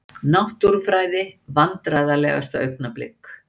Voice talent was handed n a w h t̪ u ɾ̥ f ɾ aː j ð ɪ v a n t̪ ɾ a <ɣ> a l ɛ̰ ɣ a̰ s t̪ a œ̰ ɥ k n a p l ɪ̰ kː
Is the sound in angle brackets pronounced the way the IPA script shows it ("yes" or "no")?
no